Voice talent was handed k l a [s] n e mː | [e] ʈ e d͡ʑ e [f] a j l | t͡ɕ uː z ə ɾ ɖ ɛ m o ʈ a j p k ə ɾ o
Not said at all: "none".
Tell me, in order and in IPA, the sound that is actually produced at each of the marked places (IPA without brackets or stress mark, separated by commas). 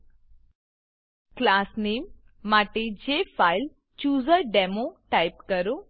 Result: s, a, f